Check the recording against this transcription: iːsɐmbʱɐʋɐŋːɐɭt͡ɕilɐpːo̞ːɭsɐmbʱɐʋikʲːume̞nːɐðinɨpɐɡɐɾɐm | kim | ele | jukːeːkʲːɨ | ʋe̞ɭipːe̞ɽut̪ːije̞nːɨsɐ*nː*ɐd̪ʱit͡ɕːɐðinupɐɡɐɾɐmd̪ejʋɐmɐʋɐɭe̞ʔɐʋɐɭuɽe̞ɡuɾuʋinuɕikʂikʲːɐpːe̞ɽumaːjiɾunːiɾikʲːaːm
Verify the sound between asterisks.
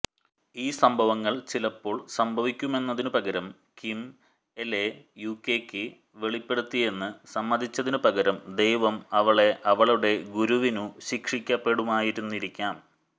incorrect: mː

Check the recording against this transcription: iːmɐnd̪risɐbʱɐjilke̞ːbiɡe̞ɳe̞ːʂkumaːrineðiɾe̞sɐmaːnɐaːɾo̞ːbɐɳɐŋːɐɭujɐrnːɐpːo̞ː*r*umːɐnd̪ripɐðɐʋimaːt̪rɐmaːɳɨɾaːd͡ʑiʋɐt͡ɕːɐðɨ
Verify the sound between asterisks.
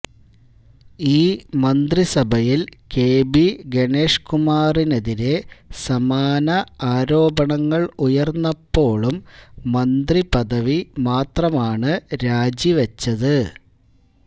incorrect: ɭ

